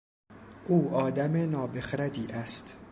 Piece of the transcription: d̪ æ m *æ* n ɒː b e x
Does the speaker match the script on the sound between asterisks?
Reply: no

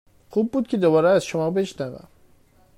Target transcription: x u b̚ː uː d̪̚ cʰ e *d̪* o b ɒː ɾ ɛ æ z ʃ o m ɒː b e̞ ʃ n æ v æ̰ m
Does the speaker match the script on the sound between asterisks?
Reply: yes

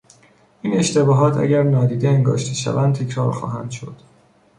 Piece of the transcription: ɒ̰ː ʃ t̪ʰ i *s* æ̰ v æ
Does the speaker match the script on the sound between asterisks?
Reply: no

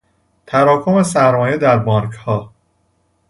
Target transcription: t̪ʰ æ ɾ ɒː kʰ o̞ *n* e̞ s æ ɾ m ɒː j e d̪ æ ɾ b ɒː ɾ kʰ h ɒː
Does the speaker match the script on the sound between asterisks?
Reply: no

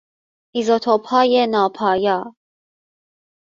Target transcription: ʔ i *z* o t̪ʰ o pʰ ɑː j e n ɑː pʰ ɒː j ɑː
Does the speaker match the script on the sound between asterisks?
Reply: yes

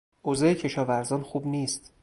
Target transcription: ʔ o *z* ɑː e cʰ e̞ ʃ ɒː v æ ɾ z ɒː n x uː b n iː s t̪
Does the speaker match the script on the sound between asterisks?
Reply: yes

